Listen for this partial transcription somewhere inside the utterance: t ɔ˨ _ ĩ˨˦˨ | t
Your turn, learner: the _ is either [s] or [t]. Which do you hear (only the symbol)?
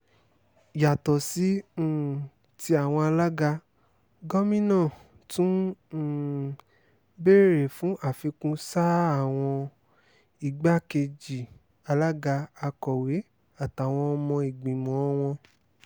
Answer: s